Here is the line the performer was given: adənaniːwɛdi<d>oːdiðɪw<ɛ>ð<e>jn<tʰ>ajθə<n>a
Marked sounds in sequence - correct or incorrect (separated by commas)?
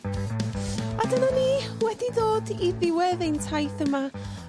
correct, correct, correct, correct, incorrect